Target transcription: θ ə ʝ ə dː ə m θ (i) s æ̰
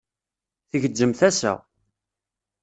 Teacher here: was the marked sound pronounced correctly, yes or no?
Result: no